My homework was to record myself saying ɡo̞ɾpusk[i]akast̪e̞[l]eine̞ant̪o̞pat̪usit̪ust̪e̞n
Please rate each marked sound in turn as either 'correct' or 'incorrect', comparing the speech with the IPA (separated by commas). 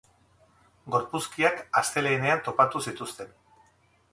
correct, correct